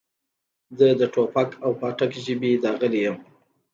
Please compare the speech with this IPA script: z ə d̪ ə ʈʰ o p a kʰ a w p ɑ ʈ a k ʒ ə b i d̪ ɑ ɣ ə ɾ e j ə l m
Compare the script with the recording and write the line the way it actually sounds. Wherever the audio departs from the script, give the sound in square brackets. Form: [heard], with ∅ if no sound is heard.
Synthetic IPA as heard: z ə d̪ ə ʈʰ o p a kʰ a w p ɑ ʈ a k ʒ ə b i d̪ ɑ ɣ ə [l] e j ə [∅] m

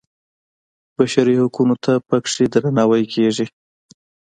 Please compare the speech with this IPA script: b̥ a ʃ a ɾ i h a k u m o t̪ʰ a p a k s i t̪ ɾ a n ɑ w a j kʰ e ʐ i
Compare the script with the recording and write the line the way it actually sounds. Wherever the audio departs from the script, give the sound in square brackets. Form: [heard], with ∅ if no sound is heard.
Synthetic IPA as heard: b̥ a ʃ a ɾ i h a k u [n] o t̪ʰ a p a k [ʂ] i [d̪] ɾ a n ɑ w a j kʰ e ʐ i

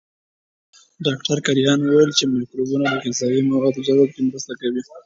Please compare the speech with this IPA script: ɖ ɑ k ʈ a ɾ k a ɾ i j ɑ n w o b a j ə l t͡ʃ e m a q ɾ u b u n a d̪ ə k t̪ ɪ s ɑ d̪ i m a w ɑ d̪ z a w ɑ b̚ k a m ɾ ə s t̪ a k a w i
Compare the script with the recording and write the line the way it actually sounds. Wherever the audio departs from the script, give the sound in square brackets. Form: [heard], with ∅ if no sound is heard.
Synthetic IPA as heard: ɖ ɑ k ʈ a ɾ k a ɾ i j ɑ n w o [w] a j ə l t͡ʃ e m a [k] ɾ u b u n a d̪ ə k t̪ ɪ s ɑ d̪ i m a w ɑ d̪ z a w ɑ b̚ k [e] m ɾ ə s t̪ a k a w i

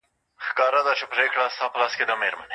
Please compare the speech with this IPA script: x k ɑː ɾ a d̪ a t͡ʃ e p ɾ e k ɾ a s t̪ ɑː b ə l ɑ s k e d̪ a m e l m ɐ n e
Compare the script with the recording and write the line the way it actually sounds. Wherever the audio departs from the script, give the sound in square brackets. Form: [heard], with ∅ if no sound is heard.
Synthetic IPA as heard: x k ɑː ɾ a d̪ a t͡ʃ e p ɾ e k [ɽ] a s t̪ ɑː [p] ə l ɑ s k e d̪ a m e [ɾ] m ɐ n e

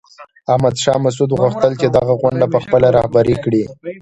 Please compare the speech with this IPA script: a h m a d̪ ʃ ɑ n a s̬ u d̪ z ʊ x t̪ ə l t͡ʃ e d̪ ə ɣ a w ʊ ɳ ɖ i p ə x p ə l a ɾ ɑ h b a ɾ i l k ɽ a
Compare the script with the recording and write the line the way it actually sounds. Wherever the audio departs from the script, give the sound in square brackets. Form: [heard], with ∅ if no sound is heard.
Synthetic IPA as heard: a h m a d̪ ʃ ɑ [m] a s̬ u d̪ [ɣ] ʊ x t̪ ə l t͡ʃ e d̪ [a] ɣ a [ɣ] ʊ ɳ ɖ [a] p ə x p ə l a ɾ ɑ h b a ɾ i [∅] k ɽ [i]

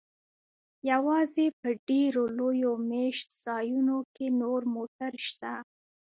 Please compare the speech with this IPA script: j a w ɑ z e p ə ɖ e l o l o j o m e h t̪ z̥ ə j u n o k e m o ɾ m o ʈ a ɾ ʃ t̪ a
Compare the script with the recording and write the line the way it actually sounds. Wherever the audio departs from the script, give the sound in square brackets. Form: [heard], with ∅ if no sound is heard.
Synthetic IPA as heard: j a w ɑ z e p ə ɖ e [ɾ] o l o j o m e [ʃ] t̪ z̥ [ɑ] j u n o k e [n] o ɾ m o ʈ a ɾ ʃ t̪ a

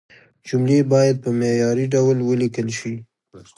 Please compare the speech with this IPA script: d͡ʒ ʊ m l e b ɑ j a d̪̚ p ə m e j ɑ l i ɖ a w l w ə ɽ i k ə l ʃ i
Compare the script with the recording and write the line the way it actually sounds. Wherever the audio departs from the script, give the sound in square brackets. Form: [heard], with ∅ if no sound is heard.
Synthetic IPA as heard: d͡ʒ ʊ m l e b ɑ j a d̪̚ p ə m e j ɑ [ɾ] i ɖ a w l w ə [l] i k ə l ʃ i

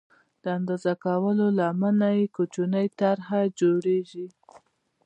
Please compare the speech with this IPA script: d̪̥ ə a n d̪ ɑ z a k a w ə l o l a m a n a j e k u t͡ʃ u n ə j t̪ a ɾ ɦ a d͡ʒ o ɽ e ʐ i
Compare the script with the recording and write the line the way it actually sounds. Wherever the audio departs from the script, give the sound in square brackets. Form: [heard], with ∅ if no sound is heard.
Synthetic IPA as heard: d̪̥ ə a n d̪ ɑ z a k a w ə l o l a m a n a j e k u t͡ʃ u n ə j t̪ a ɾ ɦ a d͡ʒ o ɽ e [ʒ] i

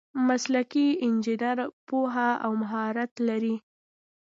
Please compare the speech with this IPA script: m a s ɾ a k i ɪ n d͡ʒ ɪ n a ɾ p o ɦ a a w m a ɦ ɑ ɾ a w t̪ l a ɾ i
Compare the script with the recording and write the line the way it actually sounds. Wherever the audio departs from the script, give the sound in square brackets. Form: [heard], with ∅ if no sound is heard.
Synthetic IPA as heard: m a s [l] a k i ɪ n d͡ʒ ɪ n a ɾ p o ɦ a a w m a ɦ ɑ ɾ a [∅] t̪ l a ɾ i

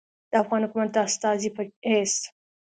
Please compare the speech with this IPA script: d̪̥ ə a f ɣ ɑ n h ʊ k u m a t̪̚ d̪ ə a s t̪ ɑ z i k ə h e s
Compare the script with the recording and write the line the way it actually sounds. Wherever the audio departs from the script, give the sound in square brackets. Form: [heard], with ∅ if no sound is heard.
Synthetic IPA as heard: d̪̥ ə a f ɣ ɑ n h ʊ k u m a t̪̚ d̪ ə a s t̪ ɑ z i [p] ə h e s

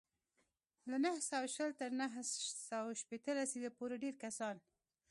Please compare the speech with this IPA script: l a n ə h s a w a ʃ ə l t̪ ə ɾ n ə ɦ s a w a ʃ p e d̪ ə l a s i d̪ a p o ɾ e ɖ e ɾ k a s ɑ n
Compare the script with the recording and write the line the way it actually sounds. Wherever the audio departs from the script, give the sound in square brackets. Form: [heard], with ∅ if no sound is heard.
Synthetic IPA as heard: l a n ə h s a w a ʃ ə l t̪ ə ɾ n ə ɦ s a w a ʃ p e [t̪] ə l a s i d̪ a p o ɾ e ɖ e ɾ k a s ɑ n

